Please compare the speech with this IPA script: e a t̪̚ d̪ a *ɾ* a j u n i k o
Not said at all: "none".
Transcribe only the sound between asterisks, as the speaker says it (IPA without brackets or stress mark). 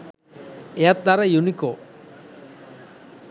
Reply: ɾ